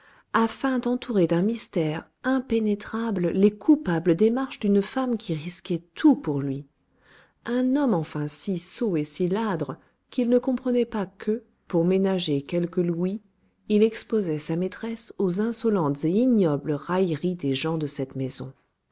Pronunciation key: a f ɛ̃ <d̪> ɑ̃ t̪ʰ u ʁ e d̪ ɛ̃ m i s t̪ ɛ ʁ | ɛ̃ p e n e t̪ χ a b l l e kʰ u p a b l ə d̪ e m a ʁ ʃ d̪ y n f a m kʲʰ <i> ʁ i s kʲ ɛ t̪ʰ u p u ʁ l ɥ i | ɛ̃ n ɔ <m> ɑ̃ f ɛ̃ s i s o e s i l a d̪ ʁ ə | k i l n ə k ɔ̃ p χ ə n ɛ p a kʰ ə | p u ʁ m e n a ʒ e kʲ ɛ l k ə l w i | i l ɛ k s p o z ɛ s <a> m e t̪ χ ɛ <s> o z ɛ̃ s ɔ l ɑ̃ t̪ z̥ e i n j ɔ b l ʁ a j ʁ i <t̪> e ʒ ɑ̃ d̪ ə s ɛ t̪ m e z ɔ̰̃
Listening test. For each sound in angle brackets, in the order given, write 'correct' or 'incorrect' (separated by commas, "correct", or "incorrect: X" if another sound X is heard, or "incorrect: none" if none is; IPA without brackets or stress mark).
correct, correct, correct, correct, correct, incorrect: d̪